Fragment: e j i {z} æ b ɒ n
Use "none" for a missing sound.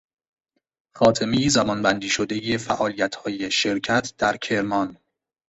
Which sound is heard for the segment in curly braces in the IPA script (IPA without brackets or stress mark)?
z